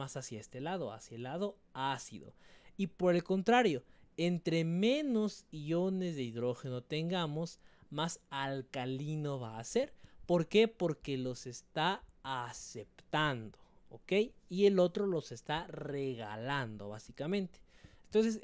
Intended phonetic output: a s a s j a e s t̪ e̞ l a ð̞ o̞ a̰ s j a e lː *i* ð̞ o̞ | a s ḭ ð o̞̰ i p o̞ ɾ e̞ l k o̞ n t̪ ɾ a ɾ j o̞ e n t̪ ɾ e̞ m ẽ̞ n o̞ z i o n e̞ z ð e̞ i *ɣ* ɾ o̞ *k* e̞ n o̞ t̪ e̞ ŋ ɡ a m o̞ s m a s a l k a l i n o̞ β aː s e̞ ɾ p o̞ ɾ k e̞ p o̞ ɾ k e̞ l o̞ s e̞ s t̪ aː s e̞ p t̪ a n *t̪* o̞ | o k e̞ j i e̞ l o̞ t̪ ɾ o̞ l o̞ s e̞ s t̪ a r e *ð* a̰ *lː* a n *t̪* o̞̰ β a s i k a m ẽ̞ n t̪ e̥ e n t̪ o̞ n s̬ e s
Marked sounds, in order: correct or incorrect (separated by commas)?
incorrect, incorrect, incorrect, incorrect, incorrect, incorrect, incorrect